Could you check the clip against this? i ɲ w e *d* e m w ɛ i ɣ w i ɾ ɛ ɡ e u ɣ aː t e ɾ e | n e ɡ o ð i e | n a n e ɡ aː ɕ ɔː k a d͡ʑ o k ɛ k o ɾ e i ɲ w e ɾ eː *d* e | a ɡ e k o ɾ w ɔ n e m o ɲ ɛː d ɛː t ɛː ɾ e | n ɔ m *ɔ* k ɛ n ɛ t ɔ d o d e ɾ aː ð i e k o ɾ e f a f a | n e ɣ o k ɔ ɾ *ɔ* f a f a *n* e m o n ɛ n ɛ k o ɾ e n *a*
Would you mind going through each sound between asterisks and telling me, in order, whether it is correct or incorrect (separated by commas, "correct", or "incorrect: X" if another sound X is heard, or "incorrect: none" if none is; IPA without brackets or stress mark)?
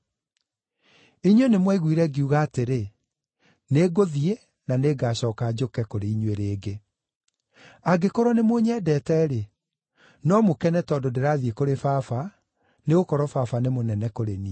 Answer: incorrect: n, incorrect: ɡ, incorrect: o, correct, correct, incorrect: i